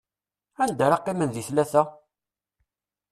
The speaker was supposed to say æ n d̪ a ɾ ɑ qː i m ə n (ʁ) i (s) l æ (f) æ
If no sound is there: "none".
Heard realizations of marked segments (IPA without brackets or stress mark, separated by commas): ð, θ, θ